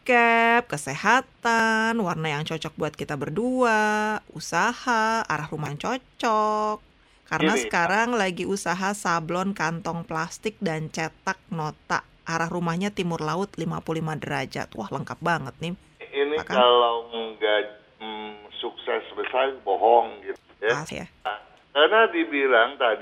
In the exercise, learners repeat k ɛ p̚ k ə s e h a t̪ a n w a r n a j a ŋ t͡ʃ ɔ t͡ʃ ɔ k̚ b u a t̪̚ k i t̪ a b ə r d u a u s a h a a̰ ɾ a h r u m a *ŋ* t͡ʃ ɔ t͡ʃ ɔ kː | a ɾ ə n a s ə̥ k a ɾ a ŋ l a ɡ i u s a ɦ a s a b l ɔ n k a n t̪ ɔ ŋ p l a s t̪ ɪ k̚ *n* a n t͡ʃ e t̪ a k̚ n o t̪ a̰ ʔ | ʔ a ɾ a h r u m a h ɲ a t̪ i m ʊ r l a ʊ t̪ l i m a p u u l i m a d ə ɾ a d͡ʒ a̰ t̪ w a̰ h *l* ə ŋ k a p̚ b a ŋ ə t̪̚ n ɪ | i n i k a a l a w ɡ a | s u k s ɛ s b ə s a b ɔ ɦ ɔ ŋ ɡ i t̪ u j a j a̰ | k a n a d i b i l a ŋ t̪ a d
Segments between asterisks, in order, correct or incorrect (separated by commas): correct, incorrect, correct